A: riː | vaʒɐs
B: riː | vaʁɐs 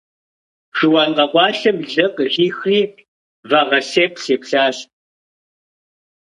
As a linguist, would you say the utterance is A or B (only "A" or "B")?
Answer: B